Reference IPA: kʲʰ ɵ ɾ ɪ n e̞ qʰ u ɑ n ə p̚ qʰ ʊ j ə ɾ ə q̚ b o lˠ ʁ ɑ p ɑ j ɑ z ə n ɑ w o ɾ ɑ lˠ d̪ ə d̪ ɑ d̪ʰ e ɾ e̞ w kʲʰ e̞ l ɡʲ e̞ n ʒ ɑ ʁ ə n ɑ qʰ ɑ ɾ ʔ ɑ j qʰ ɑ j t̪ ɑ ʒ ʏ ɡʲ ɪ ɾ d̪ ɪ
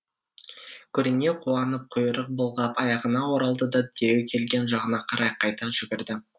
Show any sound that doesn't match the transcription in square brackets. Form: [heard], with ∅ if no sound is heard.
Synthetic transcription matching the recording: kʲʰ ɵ ɾ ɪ n e̞ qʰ u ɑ n ə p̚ qʰ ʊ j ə ɾ ə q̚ b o lˠ ʁ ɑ p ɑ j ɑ [ʁ] ə n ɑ w o ɾ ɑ lˠ d̪ ə d̪ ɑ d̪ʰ e ɾ e̞ w kʲʰ e̞ l ɡʲ e̞ n ʒ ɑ ʁ ə n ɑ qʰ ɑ ɾ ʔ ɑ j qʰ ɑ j t̪ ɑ ʒ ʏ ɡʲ ɪ ɾ d̪ ɪ